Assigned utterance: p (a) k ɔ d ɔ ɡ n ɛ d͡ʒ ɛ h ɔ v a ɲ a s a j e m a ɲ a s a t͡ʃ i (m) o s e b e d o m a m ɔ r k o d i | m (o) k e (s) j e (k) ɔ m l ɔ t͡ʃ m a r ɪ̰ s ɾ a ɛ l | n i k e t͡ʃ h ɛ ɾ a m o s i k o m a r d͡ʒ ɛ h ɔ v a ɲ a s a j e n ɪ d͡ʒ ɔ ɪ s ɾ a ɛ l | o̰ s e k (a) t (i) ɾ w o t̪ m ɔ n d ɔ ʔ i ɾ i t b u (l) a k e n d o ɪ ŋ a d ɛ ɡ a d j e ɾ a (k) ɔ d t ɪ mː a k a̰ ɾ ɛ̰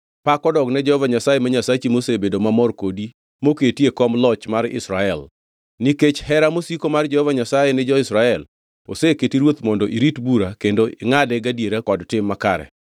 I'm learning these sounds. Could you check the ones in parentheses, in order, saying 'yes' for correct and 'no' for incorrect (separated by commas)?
yes, yes, yes, no, yes, no, yes, no, yes